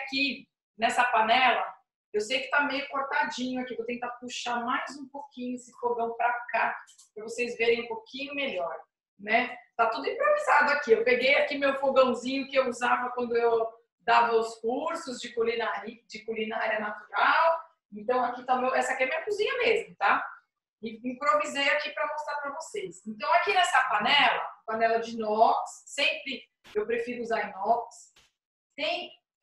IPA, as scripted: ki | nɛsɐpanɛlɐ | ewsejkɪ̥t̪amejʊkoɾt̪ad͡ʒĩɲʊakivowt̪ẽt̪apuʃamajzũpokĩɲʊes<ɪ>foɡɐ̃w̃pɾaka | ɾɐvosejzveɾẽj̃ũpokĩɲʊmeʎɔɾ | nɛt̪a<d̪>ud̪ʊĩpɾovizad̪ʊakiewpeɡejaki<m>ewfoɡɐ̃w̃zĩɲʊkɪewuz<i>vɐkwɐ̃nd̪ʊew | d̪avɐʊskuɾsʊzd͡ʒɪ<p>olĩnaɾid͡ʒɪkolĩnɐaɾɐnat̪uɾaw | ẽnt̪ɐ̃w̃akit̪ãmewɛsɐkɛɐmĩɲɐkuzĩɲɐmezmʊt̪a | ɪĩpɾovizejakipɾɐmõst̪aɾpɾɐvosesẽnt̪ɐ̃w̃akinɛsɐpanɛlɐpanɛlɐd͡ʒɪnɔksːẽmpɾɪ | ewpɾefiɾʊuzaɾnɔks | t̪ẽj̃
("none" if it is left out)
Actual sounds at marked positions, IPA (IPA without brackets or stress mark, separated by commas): ɪ, t̪, m, a, k